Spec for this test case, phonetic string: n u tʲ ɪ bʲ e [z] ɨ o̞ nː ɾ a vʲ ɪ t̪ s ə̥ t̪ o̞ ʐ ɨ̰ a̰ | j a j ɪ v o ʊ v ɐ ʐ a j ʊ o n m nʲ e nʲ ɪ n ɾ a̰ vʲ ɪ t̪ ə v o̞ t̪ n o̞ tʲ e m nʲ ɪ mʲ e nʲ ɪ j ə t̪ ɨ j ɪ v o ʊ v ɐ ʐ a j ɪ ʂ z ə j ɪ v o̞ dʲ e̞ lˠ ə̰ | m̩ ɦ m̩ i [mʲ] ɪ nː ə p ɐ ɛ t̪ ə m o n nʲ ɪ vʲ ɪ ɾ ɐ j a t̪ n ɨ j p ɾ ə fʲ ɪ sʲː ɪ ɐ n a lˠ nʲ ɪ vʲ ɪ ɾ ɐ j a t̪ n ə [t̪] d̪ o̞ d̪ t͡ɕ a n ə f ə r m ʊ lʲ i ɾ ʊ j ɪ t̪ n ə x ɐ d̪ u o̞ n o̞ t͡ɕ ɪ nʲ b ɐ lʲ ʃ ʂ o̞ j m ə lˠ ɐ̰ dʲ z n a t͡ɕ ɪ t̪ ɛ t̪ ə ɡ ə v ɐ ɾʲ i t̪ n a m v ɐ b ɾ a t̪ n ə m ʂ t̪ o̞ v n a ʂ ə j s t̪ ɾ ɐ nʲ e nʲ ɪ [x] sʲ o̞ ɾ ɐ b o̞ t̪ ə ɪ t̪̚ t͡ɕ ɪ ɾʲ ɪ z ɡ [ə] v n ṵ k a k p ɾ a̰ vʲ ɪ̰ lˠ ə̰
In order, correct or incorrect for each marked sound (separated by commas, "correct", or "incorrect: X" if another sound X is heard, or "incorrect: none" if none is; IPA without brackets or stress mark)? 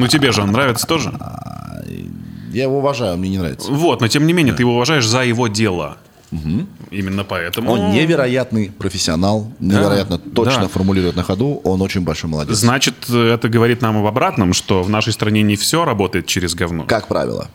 incorrect: ʐ, correct, correct, incorrect: f, incorrect: ɐ